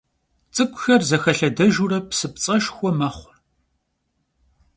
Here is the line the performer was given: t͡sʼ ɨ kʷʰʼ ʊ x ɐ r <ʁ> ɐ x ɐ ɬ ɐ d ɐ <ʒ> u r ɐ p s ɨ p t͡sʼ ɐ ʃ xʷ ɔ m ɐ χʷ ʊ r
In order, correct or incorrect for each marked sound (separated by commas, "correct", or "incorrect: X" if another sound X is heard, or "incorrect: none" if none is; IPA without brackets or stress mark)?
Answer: incorrect: z, correct